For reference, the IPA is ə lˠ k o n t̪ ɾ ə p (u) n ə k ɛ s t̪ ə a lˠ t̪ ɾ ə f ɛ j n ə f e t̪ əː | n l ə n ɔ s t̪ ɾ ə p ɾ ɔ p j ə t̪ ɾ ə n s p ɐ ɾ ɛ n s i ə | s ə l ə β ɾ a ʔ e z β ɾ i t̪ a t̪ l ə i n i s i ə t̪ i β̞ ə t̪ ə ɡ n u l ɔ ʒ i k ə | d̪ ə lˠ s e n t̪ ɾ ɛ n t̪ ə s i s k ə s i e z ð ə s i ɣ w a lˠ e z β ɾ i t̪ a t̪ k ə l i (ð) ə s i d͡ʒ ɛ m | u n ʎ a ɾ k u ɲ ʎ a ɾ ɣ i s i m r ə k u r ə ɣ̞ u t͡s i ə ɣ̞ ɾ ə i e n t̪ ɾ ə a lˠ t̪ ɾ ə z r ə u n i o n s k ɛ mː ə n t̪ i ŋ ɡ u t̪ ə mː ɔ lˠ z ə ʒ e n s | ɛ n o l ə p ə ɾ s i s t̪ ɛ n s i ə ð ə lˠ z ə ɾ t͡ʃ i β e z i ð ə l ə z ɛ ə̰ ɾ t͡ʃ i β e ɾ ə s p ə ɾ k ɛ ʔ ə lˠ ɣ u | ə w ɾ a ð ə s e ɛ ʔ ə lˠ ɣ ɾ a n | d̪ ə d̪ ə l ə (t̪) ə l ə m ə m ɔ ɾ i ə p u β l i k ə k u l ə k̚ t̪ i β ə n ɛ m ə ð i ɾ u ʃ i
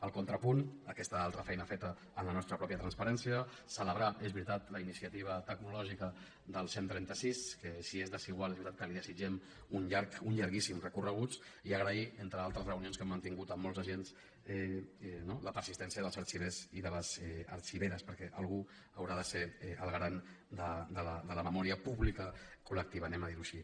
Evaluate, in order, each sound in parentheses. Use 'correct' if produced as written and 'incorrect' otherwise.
correct, correct, incorrect

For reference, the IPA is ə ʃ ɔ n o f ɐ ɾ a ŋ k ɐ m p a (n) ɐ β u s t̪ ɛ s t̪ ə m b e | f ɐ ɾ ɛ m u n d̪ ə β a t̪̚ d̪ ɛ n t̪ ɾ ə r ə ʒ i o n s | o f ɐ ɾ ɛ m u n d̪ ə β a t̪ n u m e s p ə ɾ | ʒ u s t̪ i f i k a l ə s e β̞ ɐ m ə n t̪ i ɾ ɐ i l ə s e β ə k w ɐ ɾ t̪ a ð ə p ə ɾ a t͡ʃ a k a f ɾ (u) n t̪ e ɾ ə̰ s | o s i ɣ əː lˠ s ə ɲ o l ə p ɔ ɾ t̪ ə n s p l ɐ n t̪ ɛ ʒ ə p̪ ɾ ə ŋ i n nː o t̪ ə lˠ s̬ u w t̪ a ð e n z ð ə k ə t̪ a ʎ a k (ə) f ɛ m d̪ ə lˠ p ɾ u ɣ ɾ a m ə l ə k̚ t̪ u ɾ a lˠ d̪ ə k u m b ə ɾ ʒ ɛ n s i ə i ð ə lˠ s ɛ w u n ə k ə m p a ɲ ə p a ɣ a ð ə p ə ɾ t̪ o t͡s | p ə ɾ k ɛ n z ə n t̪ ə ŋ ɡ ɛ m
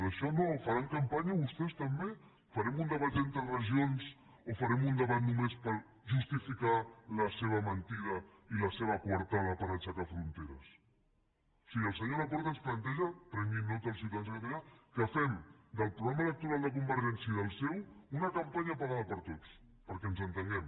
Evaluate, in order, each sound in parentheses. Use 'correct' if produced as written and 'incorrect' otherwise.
incorrect, correct, correct

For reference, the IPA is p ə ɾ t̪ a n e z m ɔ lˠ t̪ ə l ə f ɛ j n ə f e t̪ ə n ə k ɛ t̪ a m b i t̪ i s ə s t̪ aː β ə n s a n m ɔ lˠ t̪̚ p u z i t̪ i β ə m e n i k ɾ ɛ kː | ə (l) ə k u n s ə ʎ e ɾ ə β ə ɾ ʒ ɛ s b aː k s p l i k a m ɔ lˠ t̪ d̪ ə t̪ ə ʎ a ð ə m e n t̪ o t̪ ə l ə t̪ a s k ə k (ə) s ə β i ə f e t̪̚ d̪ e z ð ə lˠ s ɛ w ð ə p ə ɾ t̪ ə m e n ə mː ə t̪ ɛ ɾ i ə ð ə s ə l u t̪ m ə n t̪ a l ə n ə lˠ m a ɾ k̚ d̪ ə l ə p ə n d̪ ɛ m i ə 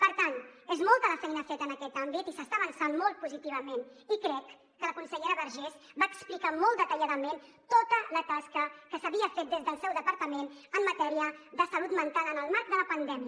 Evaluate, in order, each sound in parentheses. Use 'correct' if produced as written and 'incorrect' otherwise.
correct, correct

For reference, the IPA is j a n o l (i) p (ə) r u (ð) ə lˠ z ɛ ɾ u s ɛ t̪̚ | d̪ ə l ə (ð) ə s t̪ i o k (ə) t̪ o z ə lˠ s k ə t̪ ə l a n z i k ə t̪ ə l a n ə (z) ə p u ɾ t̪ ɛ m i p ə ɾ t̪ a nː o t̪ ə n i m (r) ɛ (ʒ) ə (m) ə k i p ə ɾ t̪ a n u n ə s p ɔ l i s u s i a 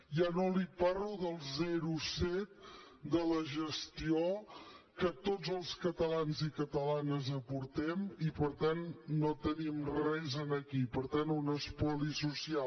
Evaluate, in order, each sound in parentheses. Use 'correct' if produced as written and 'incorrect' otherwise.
correct, incorrect, correct, incorrect, correct, correct, correct, incorrect, incorrect

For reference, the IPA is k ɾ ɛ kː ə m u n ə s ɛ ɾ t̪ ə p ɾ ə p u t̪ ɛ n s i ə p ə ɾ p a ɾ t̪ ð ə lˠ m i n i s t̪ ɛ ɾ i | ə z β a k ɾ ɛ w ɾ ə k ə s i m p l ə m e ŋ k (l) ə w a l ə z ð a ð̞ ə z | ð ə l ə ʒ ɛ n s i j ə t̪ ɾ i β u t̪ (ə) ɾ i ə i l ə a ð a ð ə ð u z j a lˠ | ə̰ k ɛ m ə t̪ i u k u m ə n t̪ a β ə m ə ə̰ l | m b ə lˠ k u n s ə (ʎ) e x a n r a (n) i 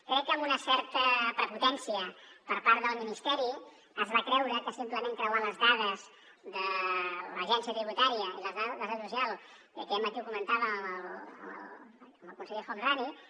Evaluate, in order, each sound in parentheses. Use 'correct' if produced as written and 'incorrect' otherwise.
incorrect, incorrect, correct, correct

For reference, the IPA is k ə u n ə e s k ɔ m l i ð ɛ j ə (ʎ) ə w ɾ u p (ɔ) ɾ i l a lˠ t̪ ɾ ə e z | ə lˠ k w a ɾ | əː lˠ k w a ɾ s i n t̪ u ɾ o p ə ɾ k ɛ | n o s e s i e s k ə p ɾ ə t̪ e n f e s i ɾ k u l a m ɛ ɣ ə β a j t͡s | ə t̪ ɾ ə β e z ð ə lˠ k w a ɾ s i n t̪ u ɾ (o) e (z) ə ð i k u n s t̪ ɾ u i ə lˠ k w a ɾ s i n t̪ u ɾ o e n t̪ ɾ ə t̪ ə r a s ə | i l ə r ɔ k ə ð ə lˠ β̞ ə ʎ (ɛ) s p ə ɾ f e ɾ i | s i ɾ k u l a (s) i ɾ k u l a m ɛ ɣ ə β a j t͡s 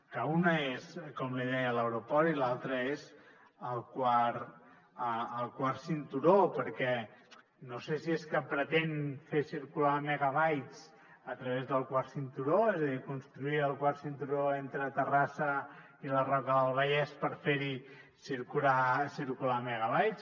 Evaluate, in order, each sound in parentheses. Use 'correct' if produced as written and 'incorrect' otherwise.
incorrect, correct, correct, correct, correct, correct

